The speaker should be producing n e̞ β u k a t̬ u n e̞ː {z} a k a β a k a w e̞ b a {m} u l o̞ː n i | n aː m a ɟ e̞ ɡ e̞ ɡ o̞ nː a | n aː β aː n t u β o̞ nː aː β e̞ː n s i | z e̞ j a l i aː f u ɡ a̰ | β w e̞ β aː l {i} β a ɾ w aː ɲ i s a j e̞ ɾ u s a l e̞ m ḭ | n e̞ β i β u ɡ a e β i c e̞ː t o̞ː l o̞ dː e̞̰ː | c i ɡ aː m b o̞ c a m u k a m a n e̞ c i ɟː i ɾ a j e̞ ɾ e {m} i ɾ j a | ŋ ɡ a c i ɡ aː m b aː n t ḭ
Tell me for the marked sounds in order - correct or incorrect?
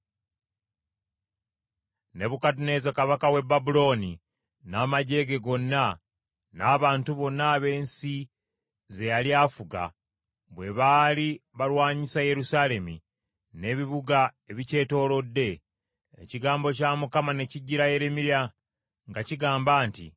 correct, incorrect, correct, correct

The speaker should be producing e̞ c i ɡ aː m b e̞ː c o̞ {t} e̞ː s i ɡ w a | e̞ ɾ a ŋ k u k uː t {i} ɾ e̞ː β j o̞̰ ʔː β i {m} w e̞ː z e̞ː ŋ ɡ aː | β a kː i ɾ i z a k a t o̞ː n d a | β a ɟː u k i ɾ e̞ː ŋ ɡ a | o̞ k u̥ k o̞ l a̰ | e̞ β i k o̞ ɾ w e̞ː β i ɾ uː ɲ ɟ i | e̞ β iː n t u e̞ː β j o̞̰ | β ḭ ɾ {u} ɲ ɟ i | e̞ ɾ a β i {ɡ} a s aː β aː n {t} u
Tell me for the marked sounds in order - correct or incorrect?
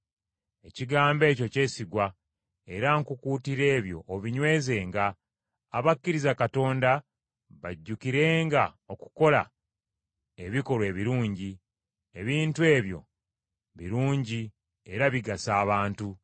incorrect, correct, incorrect, incorrect, correct, correct

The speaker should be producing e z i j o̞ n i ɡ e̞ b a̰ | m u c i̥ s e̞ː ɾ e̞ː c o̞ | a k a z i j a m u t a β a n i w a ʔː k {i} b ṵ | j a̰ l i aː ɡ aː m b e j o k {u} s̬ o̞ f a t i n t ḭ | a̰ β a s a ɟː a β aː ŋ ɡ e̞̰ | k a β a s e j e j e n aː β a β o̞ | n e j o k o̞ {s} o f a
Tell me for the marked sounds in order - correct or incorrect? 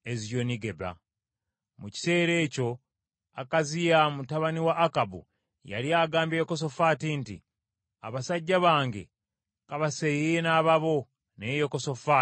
incorrect, incorrect, correct

